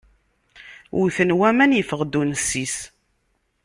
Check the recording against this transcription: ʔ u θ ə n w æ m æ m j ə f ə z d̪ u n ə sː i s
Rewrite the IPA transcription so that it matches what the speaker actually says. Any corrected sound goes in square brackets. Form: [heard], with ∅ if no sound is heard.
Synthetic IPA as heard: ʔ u θ ə n w æ m æ [n] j ə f ə [ʁ] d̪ u n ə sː i s